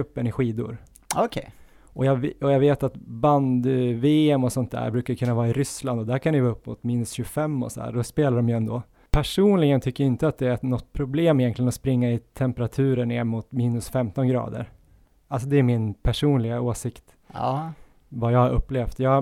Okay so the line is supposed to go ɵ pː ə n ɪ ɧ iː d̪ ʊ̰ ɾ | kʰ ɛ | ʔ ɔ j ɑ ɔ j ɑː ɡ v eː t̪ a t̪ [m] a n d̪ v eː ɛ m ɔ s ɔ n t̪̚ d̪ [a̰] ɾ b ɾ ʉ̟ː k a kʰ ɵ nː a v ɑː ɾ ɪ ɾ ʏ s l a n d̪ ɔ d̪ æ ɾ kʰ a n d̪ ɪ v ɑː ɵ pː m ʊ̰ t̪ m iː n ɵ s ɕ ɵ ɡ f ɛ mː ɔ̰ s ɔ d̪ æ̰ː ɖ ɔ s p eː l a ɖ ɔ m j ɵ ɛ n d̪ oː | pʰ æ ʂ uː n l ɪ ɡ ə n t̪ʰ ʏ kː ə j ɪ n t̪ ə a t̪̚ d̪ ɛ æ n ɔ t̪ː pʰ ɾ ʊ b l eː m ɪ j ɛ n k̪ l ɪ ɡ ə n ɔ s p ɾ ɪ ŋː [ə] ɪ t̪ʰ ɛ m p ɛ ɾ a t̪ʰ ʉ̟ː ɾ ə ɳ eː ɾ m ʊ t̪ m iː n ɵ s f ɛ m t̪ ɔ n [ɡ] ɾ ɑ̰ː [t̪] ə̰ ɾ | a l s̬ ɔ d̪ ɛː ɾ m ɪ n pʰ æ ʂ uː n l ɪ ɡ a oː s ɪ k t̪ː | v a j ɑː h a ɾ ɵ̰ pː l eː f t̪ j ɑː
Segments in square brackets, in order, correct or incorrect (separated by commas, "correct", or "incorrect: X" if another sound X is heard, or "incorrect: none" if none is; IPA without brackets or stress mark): incorrect: b, incorrect: æ̰, incorrect: a, correct, incorrect: d̪